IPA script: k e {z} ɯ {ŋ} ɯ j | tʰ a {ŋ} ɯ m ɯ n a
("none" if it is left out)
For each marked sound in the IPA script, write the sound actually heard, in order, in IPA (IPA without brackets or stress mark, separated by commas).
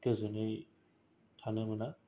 z, n, n